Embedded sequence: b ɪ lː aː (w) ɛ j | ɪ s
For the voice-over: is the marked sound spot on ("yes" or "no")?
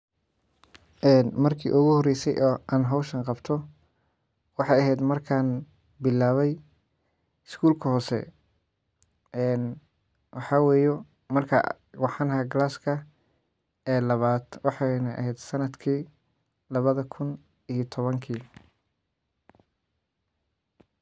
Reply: no